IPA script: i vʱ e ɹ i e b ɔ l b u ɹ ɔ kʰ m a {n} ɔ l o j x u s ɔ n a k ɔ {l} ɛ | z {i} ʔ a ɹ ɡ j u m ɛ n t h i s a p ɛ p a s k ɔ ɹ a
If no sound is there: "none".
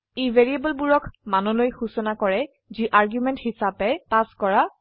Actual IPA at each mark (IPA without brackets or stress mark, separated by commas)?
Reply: n, ɹ, i